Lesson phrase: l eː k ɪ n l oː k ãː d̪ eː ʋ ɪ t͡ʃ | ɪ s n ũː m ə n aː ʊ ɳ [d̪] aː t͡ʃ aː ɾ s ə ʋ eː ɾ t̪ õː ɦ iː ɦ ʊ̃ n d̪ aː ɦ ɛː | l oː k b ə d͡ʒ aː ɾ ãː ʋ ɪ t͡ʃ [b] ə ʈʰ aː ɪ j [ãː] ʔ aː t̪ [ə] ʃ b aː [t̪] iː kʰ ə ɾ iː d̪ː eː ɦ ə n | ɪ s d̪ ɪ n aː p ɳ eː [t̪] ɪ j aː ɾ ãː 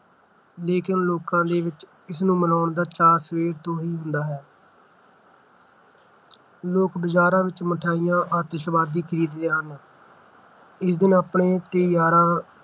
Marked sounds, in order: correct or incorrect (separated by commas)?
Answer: correct, incorrect, correct, correct, incorrect, correct